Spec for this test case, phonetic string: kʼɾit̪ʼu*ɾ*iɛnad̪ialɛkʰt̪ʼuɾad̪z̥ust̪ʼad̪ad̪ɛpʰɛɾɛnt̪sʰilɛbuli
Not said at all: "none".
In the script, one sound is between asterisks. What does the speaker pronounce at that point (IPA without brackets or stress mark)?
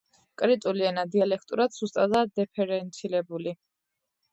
l